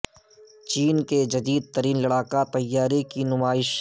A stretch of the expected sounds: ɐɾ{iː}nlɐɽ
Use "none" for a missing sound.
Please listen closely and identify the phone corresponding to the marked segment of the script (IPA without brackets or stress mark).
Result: iː